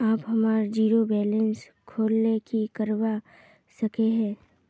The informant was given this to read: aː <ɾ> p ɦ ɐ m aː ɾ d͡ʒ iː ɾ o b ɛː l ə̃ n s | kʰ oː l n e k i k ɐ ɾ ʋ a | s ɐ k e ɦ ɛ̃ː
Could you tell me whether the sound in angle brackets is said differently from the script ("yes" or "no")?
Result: yes